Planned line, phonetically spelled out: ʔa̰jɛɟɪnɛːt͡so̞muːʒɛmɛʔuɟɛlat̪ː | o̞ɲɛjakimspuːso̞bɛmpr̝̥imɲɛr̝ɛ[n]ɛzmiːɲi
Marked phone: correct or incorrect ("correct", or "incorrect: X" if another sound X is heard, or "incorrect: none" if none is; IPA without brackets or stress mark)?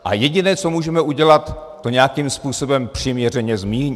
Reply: incorrect: ɲ